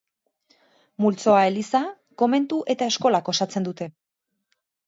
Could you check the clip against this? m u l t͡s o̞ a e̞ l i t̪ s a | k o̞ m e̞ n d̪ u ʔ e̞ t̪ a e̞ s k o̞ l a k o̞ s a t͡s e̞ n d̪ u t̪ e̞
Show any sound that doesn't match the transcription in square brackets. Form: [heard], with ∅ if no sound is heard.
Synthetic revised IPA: m u l t͡s o̞ a e̞ l i [∅] s a | k o̞ m e̞ n [t̪] u ʔ e̞ t̪ a e̞ s k o̞ l a k o̞ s a t͡s e̞ n d̪ u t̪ e̞